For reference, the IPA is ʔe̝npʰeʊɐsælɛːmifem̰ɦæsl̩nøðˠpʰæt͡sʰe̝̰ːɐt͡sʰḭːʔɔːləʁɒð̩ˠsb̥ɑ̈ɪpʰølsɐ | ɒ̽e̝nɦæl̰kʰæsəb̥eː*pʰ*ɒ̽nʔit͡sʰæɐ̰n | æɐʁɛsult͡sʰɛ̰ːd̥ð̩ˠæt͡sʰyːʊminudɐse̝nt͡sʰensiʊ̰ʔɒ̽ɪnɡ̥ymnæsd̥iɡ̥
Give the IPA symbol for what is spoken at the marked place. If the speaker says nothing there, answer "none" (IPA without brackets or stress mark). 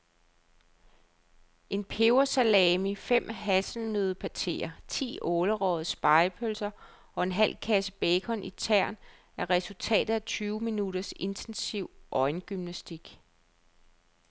kʰ